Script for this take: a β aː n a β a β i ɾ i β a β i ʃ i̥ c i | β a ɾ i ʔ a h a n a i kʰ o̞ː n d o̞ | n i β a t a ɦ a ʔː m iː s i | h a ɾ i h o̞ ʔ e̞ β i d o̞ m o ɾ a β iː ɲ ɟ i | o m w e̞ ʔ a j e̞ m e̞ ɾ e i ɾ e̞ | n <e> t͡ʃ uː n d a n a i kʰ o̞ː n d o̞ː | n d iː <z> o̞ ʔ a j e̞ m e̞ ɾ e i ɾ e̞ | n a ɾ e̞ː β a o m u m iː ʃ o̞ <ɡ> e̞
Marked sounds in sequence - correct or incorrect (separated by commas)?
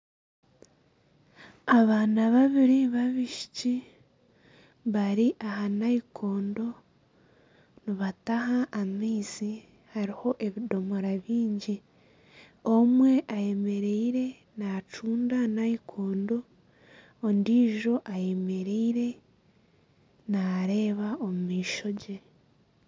incorrect, incorrect, incorrect